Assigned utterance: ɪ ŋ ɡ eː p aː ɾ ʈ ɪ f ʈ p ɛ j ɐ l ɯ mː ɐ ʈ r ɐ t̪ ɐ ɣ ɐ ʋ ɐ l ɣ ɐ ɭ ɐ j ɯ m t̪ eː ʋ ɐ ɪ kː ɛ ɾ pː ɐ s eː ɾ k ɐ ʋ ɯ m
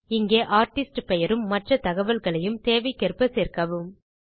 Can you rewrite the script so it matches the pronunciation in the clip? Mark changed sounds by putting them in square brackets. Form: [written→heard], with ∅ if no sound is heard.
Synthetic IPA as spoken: ɪ ŋ ɡ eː [p→ʔ] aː ɾ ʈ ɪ [f→s] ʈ p ɛ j ɐ [l→ɾ] ɯ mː ɐ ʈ r ɐ t̪ ɐ ɣ ɐ ʋ ɐ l ɣ ɐ ɭ ɐ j ɯ m t̪ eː ʋ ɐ ɪ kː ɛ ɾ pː ɐ s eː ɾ k ɐ ʋ ɯ m

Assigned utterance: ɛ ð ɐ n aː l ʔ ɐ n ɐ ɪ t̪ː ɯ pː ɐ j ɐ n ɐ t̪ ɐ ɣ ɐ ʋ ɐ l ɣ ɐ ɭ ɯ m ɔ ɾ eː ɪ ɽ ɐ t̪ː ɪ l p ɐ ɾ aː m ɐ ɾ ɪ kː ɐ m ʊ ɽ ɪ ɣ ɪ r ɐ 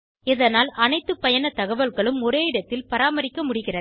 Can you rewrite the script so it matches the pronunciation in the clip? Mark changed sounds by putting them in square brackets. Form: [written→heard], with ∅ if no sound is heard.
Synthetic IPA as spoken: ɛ ð ɐ n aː l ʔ ɐ n ɐ ɪ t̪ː ɯ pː ɐ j ɐ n ɐ t̪ ɐ ɣ ɐ ʋ ɐ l ɣ ɐ ɭ ɯ m ɔ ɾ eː ɪ ɽ ɐ t̪ː ɪ l p ɐ ɾ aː m ɐ ɾ ɪ kː ɐ m ʊ ɽ ɪ ɣ ɪ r ɐ

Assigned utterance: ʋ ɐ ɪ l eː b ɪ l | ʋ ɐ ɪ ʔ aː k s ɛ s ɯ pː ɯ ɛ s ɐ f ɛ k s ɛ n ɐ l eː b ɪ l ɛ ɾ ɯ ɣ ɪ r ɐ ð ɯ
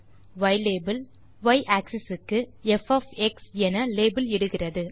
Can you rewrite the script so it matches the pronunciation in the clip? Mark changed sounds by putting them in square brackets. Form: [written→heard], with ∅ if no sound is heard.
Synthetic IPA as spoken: ʋ ɐ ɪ l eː b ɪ l | ʋ ɐ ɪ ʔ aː k s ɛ s ɯ [pː→kː] ɯ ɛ [s→f] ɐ f ɛ k s ɛ n ɐ l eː b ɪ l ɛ [ɾ→ɽ] ɯ ɣ ɪ r ɐ ð ɯ

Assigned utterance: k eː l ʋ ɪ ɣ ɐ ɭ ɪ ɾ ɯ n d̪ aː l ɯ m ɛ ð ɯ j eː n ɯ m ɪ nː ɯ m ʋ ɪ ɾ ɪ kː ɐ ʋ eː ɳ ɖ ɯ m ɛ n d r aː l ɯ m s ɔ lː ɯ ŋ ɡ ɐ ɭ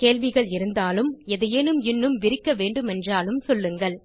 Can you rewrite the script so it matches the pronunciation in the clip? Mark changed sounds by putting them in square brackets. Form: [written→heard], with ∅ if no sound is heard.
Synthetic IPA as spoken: k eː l ʋ ɪ ɣ ɐ ɭ ɪ ɾ ɯ n d̪ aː l ɯ m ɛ ð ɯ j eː n ɯ m ɪ nː ɯ m ʋ ɪ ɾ ɪ kː ɐ ʋ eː ɳ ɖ ɯ m ɛ n d r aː l ɯ m s ɔ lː ɯ ŋ ɡ ɐ ɭ

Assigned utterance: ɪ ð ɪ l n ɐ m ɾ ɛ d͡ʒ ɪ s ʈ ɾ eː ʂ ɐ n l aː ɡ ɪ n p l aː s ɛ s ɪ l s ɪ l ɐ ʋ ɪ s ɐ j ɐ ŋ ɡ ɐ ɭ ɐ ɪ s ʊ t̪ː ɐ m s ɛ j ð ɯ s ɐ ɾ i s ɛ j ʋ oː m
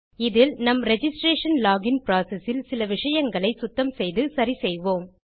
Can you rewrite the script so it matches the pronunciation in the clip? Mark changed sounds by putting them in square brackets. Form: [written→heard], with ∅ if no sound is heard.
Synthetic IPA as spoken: ɪ ð ɪ l n ɐ m ɾ ɛ d͡ʒ ɪ s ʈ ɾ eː ʂ ɐ n l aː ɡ ɪ n p [l→ɾ] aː s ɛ s ɪ l s ɪ l ɐ ʋ ɪ [s→ʂ] ɐ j ɐ ŋ ɡ ɐ ɭ ɐ ɪ s ʊ t̪ː ɐ m s ɛ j ð ɯ s ɐ ɾ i s ɛ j ʋ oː m

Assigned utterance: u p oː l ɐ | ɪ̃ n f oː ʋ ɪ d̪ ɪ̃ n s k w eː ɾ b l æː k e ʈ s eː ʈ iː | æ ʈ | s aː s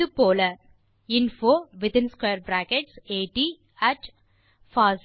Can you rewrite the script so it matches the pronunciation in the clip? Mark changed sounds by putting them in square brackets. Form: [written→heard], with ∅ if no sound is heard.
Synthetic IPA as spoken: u p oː l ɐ | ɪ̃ n f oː ʋ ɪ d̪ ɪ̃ n s k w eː ɾ b [l→ɾ] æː k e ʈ s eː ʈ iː | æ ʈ | [s→f] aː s

